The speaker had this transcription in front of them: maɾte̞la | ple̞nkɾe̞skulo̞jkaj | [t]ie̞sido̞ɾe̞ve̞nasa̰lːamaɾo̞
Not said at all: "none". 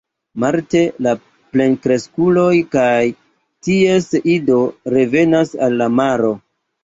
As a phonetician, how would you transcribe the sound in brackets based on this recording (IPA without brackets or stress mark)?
t